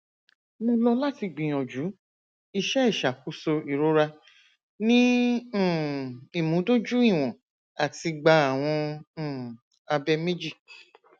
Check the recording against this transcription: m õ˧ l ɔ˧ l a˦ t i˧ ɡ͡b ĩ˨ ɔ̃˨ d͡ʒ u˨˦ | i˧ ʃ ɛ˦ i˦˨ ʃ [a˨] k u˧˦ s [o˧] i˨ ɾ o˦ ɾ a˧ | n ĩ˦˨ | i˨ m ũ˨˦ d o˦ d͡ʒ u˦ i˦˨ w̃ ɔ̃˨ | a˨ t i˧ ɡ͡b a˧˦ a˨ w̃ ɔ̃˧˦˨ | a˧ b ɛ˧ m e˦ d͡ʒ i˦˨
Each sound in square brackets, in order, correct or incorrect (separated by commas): correct, correct